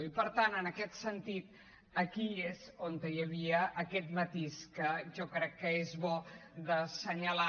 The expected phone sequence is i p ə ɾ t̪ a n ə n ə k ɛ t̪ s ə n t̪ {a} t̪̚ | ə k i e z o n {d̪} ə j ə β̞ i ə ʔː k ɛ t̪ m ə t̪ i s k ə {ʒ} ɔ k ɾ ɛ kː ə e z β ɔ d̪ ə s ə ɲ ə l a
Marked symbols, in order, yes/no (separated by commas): no, no, yes